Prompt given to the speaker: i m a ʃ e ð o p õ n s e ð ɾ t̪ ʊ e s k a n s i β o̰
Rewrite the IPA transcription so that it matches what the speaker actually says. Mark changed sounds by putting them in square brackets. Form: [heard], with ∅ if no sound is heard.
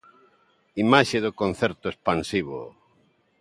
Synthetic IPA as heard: i m a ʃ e ð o [k] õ n [θ] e [∅] ɾ t̪ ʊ e s [p] a n s i β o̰